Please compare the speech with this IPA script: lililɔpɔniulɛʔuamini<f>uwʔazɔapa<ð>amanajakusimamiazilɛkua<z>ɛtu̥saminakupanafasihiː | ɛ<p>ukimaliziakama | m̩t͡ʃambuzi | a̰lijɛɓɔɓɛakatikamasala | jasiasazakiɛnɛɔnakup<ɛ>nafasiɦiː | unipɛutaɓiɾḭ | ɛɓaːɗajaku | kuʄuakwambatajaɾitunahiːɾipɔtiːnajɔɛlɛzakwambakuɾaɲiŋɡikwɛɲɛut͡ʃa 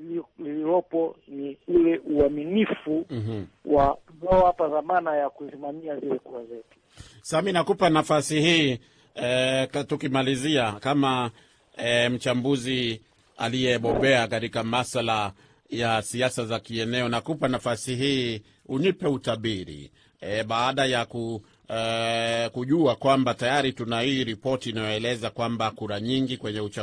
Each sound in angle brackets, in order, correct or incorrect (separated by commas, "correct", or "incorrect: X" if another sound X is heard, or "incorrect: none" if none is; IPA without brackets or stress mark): correct, correct, correct, incorrect: t, incorrect: a